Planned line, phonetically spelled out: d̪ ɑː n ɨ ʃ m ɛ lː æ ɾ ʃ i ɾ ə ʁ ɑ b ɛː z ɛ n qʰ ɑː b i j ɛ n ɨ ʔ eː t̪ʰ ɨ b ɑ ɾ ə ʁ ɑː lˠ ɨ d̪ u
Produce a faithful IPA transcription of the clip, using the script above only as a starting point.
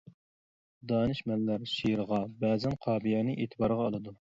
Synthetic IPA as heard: d̪ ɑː n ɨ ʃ m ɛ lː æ ɾ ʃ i ɾ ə ʁ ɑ b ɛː z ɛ n qʰ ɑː b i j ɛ n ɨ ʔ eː t̪ʰ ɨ b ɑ ɾ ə ʁ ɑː lˠ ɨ d̪ u